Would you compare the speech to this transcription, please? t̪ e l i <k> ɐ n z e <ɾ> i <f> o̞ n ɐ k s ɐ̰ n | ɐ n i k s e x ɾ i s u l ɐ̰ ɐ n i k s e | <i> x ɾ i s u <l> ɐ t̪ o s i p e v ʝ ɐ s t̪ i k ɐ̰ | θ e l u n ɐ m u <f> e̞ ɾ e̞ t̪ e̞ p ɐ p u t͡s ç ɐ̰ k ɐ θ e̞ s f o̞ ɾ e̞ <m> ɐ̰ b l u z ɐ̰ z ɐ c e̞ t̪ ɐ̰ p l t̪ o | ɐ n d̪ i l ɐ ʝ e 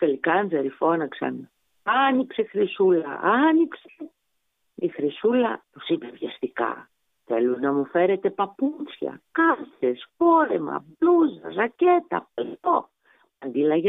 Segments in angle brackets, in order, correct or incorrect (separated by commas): correct, correct, correct, correct, correct, correct, correct